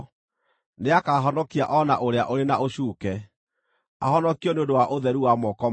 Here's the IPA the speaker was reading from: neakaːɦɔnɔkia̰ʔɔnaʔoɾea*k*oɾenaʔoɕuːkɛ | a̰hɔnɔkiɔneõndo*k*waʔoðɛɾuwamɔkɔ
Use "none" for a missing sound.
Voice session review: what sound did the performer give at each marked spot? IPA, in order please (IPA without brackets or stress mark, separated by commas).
ʔ, none